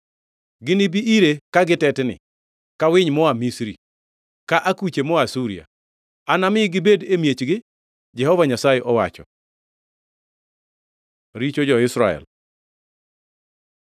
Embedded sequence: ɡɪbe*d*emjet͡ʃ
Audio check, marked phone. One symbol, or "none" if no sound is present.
d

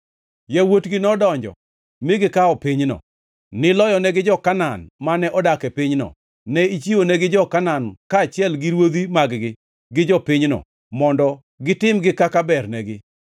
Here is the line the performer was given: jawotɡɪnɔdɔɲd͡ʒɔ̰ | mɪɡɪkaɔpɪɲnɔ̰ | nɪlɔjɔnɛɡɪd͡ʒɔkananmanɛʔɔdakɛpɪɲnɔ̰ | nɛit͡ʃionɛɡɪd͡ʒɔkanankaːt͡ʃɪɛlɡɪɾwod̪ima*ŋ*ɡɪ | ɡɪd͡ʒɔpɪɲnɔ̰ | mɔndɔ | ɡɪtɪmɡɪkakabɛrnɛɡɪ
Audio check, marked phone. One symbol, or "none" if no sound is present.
ɡ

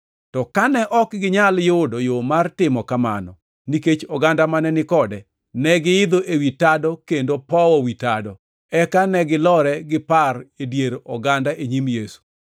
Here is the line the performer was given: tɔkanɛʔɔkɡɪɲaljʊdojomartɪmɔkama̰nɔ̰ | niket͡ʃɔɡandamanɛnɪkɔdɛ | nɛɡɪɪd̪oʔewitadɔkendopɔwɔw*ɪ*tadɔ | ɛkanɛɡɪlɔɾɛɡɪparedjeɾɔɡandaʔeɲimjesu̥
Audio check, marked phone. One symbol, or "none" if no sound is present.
i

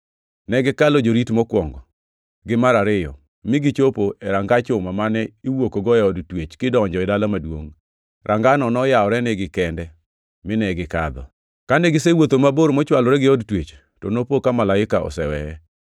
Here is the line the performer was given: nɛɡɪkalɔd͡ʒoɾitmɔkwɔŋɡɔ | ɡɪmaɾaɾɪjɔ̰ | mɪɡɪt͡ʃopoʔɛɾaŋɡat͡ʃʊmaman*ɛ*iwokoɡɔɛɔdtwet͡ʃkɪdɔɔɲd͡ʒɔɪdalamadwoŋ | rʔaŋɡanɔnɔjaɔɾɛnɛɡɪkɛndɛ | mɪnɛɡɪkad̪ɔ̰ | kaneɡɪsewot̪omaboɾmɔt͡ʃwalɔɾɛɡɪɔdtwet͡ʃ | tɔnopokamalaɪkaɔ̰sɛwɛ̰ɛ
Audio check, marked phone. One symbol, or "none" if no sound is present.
ɛ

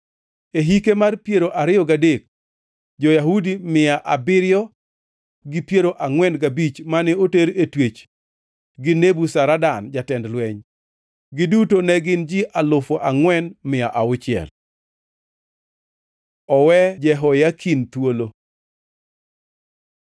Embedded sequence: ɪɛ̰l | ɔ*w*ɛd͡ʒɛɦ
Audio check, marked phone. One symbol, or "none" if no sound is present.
w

